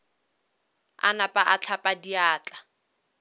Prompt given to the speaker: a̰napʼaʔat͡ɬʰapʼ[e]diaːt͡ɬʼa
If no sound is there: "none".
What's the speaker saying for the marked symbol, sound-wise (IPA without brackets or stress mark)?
a